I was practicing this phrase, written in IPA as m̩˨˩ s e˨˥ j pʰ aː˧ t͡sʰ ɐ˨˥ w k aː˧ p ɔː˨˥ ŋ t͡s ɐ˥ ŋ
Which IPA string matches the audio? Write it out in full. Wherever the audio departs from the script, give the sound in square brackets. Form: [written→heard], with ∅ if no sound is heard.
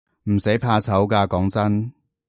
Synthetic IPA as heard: m̩˨˩ s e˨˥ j pʰ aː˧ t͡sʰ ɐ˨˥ w k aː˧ [p→k] ɔː˨˥ ŋ t͡s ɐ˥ [ŋ→n]